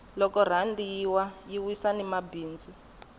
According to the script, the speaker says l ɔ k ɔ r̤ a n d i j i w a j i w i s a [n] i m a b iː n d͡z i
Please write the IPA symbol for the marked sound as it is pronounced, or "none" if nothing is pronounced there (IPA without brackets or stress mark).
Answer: n